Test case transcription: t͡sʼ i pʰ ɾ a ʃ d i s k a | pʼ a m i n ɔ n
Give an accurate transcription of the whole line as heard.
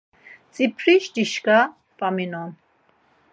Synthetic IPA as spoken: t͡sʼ i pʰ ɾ i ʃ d i ʃ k a | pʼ a m i n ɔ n